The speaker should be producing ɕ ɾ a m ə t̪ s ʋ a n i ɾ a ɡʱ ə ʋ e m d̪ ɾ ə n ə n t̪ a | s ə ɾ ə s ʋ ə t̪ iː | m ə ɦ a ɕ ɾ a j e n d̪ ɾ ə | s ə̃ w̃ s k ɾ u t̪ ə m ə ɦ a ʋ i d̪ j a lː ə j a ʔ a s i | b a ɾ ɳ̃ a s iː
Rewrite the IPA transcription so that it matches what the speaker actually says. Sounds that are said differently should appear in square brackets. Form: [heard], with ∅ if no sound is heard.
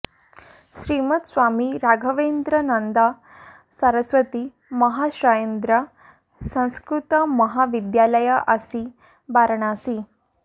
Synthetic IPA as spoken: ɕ ɾ [i] m ə t̪ s ʋ a [m] i ɾ a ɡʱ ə ʋ e [n] d̪ ɾ ə n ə n [d̪] a | s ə ɾ ə s ʋ ə t̪ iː | m ə ɦ a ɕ ɾ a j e n d̪ ɾ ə | s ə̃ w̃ s k ɾ u t̪ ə m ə ɦ a ʋ i d̪ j a [l] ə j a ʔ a s i | b a ɾ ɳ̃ a s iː